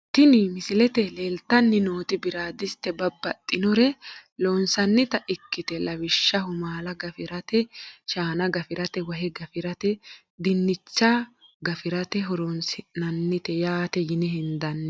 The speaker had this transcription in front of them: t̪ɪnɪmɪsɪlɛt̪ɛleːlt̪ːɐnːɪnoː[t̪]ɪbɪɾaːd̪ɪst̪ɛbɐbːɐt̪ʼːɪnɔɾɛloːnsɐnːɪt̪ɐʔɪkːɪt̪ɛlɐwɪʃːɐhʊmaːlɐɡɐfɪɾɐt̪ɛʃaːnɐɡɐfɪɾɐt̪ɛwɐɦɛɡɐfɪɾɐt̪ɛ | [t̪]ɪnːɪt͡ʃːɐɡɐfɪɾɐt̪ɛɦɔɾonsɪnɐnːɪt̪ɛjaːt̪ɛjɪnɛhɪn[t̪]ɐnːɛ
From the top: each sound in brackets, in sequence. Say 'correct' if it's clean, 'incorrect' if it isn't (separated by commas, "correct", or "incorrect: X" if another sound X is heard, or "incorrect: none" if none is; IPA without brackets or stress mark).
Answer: correct, incorrect: d̪, incorrect: d̪